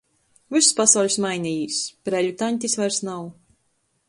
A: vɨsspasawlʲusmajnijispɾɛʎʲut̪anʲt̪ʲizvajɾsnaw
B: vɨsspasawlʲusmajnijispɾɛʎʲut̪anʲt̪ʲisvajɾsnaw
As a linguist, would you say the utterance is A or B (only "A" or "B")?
B